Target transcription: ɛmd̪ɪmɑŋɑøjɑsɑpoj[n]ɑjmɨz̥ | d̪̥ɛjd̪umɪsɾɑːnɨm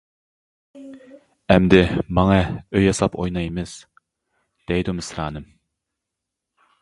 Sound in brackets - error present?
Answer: no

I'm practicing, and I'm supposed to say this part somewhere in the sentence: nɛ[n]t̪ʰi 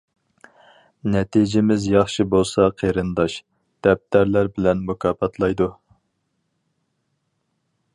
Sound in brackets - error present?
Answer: yes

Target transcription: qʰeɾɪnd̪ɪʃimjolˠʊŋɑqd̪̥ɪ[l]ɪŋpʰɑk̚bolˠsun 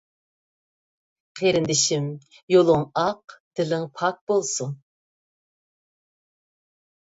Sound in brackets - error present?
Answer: no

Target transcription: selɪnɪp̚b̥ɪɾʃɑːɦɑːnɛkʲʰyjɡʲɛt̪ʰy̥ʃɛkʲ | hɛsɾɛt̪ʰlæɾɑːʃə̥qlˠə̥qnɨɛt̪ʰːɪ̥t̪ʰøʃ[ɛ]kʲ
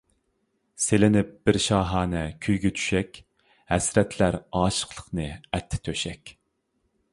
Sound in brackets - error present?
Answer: no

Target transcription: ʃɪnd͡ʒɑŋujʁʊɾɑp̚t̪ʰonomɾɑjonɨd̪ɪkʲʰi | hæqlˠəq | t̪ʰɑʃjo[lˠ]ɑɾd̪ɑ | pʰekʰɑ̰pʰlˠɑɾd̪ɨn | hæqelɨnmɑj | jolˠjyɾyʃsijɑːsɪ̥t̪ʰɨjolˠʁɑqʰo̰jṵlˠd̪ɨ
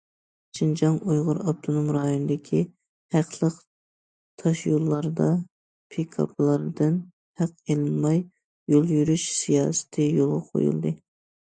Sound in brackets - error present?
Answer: yes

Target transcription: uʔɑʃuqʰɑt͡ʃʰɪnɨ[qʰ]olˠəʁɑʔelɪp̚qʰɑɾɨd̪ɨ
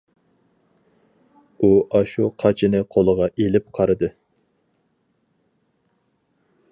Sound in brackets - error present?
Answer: no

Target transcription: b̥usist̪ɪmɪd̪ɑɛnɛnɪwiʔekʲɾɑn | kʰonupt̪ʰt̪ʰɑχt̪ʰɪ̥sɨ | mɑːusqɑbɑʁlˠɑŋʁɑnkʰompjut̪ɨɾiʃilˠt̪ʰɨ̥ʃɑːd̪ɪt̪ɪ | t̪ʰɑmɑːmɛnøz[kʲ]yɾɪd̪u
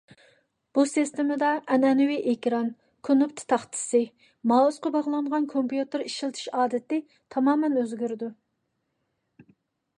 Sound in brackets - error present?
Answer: yes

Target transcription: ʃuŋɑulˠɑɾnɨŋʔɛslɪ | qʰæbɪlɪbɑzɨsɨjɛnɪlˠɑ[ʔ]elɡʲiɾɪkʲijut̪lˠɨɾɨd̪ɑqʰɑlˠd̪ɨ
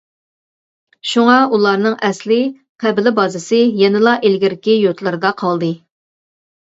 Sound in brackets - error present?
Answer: no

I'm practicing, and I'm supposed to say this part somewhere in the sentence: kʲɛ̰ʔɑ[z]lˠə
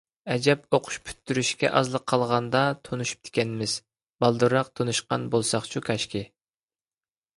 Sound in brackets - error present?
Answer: no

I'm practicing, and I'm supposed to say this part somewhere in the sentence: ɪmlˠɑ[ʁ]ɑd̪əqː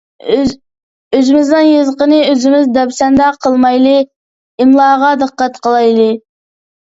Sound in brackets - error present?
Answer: no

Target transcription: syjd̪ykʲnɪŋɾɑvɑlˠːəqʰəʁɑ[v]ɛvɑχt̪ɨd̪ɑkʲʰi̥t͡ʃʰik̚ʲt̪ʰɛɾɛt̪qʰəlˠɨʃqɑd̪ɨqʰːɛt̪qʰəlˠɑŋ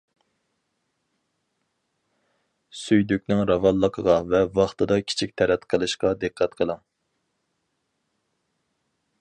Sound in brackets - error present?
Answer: no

